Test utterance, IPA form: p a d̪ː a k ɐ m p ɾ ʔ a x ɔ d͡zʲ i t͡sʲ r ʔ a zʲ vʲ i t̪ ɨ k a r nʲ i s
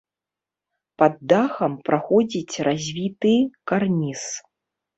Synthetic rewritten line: p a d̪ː a x ɐ m p ɾ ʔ a x ɔ d͡zʲ i t͡sʲ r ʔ a zʲ vʲ i t̪ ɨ k a r nʲ i s